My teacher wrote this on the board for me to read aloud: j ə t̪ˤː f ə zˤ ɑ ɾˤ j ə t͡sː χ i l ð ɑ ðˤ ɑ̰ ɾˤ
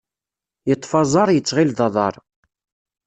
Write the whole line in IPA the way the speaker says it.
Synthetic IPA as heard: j ə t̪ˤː f ɑ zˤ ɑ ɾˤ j ə t͡sː ʁ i l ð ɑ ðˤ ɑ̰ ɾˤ